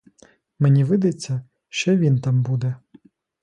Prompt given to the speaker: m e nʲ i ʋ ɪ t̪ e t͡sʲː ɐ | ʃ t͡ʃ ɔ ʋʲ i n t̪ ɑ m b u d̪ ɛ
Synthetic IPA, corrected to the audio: m e nʲ i ʋ ɪ d̪ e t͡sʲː ɐ | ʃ t͡ʃ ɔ ʋʲ i n t̪ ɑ m b u d̪ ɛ